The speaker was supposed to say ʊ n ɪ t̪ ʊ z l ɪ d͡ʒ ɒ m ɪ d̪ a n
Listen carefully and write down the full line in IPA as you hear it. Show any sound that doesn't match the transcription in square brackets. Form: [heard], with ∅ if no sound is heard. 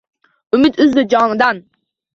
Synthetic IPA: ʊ [m] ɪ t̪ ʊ z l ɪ d͡ʒ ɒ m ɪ d̪ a n

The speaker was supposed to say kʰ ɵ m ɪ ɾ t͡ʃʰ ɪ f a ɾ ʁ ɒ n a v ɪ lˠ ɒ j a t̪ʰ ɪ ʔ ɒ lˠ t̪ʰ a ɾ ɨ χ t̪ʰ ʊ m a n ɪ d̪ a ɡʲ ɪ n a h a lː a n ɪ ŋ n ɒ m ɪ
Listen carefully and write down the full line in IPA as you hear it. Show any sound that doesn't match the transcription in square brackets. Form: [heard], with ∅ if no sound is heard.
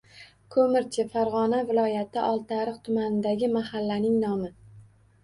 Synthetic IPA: kʰ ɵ m ɪ ɾ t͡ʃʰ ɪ f a ɾ ʁ ɒ n a v ɪ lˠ ɒ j a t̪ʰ ɪ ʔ ɒ lˠ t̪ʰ a ɾ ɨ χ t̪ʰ ʊ m a n ɪ d̪ a ɡʲ ɪ [m] a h a lː a n ɪ ŋ n ɒ m ɪ

